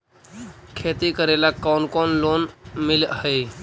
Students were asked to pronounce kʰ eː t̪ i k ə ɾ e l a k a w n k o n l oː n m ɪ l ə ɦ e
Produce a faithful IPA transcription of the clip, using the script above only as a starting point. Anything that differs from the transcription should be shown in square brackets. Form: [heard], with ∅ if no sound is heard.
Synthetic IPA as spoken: kʰ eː t̪ i k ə ɾ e l a k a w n k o n l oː n m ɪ l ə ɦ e